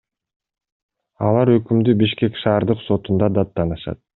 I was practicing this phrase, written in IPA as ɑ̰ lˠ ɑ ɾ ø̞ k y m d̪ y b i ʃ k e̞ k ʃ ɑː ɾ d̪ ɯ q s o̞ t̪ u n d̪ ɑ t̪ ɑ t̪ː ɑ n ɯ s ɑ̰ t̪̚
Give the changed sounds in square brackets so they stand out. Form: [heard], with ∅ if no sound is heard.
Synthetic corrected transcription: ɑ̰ lˠ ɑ ɾ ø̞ k y m d̪ y b i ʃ k e̞ k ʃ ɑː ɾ d̪ ɯ q s o̞ t̪ u n d̪ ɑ [d̪] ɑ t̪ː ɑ n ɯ [ʃ] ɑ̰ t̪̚

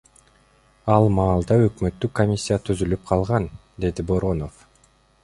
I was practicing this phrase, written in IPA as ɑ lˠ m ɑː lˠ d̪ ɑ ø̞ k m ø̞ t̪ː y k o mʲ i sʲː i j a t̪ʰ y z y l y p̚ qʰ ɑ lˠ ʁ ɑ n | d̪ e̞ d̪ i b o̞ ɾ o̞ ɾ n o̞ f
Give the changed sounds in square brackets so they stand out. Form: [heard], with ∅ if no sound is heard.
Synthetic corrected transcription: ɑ lˠ m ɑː lˠ d̪ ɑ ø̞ k m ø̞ t̪ː y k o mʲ i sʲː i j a t̪ʰ y z y l y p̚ qʰ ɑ lˠ ʁ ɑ n | d̪ e̞ d̪ i b o̞ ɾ o̞ [∅] n o̞ f

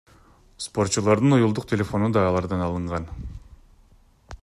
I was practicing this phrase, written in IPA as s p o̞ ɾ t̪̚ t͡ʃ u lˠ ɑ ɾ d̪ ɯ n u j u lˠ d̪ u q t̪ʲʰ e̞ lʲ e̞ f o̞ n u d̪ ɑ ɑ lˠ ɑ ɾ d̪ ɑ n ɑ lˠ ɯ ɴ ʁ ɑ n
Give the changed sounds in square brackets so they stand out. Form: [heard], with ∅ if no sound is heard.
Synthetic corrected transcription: s p o̞ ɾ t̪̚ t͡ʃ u lˠ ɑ ɾ d̪ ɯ n u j u lˠ d̪ u q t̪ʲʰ e̞ lʲ e̞ f o̞ n u d̪ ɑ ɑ lˠ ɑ ɾ d̪ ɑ n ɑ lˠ ɯ ɴ ʁ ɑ n

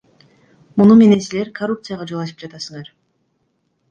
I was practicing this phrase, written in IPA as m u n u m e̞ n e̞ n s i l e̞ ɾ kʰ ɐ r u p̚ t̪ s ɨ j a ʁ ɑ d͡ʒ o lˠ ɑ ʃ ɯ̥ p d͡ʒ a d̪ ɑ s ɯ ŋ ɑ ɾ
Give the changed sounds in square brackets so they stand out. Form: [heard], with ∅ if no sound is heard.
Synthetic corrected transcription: m u n u m e̞ n e̞ n s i l e̞ ɾ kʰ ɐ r u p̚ t̪ s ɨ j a ʁ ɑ d͡ʒ o lˠ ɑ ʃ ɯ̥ p d͡ʒ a [t̪] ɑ s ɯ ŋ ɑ ɾ

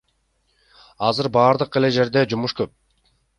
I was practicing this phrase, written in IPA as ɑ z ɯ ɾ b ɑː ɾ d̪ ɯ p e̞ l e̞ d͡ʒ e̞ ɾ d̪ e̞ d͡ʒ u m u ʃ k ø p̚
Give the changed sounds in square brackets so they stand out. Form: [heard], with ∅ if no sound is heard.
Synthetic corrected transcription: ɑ z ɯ ɾ b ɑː ɾ d̪ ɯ [q] e̞ l e̞ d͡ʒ e̞ ɾ d̪ e̞ d͡ʒ u m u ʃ k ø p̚

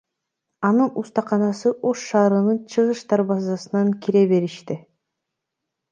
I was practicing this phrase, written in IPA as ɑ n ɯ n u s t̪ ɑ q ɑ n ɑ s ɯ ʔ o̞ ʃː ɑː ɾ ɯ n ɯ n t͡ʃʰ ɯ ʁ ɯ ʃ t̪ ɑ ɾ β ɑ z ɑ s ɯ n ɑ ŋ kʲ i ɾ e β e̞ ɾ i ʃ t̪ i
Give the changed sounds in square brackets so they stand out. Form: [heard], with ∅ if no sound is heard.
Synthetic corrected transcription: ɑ n ɯ n u s t̪ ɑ q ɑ n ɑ s ɯ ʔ o̞ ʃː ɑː ɾ ɯ n ɯ n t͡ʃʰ ɯ ʁ ɯ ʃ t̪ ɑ ɾ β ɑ z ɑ s ɯ n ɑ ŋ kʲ i ɾ e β e̞ ɾ i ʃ t̪ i

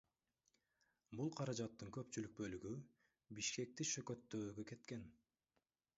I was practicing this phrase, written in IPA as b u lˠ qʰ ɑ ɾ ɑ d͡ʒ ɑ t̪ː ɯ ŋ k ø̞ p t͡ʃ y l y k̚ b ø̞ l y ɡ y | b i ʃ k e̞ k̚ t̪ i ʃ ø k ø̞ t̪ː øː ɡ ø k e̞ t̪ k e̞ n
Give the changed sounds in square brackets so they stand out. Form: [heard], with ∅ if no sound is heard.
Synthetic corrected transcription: b u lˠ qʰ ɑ ɾ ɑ d͡ʒ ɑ t̪ː ɯ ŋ k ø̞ p t͡ʃ y l y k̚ b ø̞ l y ɡ y | b i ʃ k e̞ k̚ t̪ i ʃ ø k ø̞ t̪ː øː ɡ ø k e̞ t̪ k e̞ n

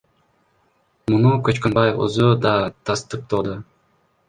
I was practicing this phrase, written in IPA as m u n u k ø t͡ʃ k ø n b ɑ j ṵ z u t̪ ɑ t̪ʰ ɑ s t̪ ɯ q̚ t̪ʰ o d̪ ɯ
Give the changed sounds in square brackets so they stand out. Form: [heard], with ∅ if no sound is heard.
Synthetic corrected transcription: m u n u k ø t͡ʃ k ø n b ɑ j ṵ z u [d̪] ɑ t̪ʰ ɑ s t̪ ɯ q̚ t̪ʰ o d̪ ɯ

